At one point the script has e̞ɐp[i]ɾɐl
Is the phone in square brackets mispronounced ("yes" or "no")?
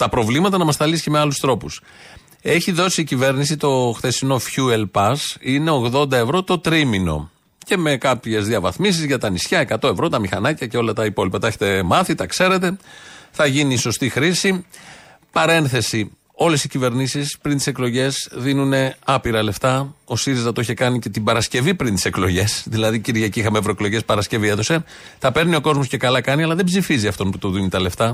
no